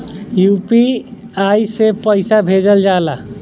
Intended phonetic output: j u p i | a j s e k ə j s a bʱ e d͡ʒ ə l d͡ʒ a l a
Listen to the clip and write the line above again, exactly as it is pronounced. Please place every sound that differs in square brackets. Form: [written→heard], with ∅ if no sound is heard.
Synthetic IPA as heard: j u p i | a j s e [k→p] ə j s a bʱ e d͡ʒ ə l d͡ʒ a l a